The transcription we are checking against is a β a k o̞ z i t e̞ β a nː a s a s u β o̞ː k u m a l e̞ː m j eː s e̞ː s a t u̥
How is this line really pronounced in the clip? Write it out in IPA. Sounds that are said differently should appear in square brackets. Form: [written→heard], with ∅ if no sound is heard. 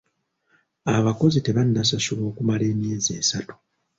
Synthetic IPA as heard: a β a k o̞ z i t e̞ β a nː a s a s u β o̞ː k u m a l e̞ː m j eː [s→z] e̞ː s a t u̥